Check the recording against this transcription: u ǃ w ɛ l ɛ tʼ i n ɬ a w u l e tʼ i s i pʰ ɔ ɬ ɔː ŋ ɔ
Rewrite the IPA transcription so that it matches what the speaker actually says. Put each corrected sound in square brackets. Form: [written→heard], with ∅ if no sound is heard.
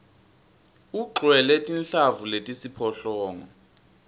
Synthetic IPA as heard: u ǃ w ɛ l ɛ tʼ i n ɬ a [w→v] u l e tʼ i s i pʰ ɔ ɬ ɔː ŋ ɔ